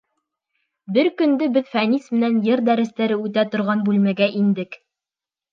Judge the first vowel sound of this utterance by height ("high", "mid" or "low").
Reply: mid